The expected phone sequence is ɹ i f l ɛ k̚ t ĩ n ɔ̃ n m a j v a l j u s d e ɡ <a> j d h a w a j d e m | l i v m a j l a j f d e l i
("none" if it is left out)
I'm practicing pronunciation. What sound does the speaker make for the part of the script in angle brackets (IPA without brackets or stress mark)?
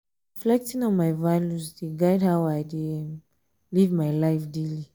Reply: a